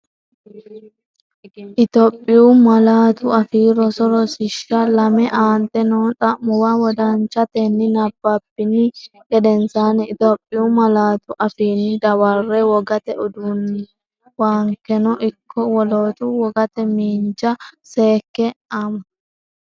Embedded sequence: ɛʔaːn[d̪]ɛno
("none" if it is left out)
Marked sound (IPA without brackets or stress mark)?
t̪